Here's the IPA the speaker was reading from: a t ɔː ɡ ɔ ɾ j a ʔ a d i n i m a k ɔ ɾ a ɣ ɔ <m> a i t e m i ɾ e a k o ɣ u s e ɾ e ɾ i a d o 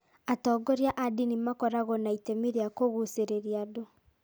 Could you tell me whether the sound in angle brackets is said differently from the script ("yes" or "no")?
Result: yes